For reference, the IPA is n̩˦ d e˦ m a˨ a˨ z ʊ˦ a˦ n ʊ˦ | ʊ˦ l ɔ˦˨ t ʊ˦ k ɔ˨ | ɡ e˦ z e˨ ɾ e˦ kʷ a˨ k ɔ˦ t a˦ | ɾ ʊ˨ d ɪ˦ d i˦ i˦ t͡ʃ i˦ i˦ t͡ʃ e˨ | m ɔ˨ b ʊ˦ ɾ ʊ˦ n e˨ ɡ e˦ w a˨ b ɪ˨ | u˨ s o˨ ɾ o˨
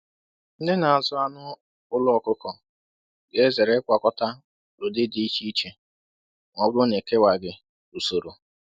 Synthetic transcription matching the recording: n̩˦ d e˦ n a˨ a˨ z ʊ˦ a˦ n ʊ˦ | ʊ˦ l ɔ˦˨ k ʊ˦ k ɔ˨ | ɡ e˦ z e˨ ɾ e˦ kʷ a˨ k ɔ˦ t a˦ | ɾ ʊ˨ d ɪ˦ d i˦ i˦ t͡ʃ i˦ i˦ t͡ʃ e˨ | ŋ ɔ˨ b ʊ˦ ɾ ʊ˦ n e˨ k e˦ w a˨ ɡ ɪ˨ | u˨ s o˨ ɾ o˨